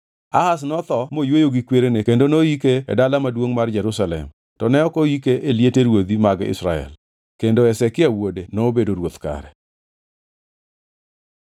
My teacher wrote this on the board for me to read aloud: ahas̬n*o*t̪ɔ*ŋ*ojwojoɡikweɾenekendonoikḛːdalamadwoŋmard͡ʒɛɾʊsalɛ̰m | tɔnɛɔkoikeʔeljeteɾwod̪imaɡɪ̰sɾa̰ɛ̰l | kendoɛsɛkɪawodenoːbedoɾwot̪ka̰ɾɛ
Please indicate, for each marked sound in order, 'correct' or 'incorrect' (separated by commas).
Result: incorrect, incorrect